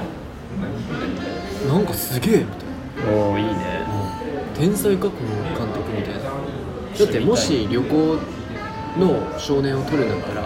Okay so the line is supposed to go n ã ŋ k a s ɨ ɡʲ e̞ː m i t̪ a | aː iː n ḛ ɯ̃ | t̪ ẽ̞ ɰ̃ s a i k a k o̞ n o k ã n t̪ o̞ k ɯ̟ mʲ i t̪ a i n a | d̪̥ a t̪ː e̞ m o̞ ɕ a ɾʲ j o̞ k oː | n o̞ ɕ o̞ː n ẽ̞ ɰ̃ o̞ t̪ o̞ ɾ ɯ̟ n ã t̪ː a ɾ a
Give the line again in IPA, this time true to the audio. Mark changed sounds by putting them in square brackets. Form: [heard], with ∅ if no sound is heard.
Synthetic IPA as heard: n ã ŋ k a s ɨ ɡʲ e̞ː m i t̪ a | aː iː n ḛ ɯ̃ | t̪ ẽ̞ ɰ̃ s a i k a k o̞ n o k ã n t̪ o̞ k ɯ̟ mʲ i t̪ a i n a | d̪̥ a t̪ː e̞ m o̞ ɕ [i] ɾʲ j o̞ k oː | n o̞ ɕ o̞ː n ẽ̞ ɰ̃ o̞ t̪ o̞ ɾ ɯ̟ n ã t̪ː a ɾ a